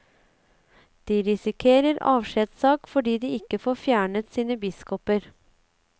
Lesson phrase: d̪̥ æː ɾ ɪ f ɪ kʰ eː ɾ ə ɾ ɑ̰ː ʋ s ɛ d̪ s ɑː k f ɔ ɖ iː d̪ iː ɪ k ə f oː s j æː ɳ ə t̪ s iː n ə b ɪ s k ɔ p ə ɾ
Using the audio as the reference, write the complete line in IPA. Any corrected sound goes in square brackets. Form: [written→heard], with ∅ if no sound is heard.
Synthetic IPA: d̪̥ [æː→iː] ɾ ɪ [f→s] ɪ kʰ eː ɾ ə ɾ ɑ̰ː ʋ [s→ʃ] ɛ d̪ s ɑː k f ɔ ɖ iː d̪ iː ɪ k ə f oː [s→f] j æː ɳ ə t̪ s iː n ə b ɪ s k ɔ p ə ɾ